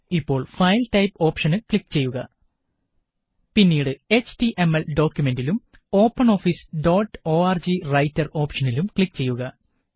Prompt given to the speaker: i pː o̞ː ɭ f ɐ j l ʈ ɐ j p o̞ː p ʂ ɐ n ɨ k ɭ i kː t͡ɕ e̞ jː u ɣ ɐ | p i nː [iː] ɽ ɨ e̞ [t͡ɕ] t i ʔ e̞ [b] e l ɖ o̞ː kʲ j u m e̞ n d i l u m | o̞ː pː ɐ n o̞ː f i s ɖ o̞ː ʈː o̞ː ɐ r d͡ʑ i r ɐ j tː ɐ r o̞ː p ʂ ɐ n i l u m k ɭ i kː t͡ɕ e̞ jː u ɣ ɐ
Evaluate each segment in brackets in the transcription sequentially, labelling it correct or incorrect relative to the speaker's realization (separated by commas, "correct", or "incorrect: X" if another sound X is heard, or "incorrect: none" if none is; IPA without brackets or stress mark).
correct, correct, incorrect: m